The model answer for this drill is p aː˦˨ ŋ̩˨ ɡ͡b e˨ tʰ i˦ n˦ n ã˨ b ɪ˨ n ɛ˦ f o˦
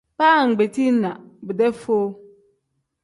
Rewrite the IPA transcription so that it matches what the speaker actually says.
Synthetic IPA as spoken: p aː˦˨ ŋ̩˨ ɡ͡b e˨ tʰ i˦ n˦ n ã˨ b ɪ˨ d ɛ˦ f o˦